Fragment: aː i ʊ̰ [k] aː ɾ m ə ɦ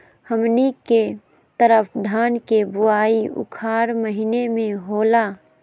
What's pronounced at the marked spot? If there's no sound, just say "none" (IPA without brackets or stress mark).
kʰ